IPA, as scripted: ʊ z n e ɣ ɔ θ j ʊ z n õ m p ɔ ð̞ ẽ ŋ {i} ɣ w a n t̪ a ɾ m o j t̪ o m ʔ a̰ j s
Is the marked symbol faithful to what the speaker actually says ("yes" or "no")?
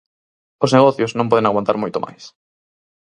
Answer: no